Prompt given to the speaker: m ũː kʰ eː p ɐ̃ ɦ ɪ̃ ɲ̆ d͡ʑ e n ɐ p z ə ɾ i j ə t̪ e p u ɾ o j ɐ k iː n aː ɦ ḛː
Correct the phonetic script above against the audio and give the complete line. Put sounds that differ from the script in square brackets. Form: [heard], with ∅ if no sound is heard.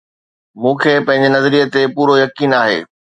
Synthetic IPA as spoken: m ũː kʰ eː p ɐ̃ ɦ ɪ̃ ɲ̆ d͡ʑ e n ɐ [∅] z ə ɾ i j ə t̪ e p [uː] ɾ o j ɐ k iː n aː ɦ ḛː